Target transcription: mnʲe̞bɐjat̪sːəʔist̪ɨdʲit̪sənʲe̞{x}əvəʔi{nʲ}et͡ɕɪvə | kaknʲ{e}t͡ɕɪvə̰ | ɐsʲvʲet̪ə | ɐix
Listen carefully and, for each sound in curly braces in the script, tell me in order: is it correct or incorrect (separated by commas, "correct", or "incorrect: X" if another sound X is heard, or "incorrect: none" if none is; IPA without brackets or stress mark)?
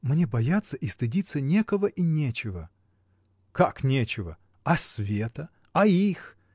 incorrect: k, correct, correct